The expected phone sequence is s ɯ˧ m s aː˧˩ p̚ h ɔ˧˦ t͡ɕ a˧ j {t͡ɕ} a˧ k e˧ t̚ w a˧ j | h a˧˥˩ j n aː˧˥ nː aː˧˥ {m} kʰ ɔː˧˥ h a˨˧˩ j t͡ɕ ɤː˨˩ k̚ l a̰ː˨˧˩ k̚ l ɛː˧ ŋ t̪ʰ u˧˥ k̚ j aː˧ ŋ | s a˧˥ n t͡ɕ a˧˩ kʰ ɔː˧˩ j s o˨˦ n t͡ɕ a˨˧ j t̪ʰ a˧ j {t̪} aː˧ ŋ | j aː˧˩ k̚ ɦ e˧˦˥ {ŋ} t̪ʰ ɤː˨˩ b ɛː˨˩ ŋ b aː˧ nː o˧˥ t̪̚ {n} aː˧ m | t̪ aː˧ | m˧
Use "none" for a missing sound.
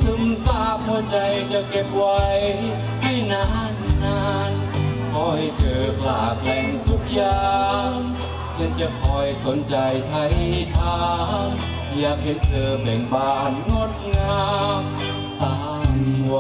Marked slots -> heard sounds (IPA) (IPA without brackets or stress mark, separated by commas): t͡ɕ, n, t̪ʰ, n, ŋ